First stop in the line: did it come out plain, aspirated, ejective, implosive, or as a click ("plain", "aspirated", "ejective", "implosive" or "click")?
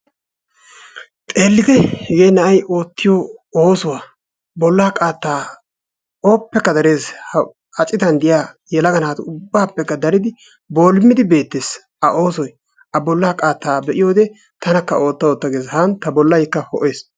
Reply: ejective